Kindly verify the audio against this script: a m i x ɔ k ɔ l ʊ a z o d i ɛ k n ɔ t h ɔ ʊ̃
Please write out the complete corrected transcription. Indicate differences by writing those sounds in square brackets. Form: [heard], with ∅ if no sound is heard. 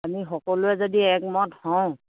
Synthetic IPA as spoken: a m i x ɔ k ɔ l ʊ [ɛ] z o d i ɛ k [m] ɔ t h ɔ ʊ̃